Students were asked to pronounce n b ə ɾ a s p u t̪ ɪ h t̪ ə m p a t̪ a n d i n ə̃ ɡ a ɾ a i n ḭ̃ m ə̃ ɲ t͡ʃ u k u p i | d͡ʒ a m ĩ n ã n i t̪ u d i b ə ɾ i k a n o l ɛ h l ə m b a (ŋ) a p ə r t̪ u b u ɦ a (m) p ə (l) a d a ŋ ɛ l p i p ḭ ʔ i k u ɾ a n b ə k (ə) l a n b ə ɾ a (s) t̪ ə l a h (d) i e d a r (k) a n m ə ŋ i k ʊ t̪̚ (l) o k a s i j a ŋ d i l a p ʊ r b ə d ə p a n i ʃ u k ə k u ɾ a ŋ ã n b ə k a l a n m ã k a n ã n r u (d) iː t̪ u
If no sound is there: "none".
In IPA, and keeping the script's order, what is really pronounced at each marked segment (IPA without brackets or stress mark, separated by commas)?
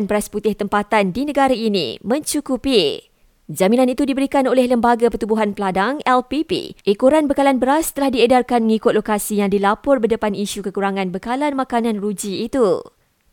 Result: ɡ, n, l, a, s, d, k, l, d͡ʒ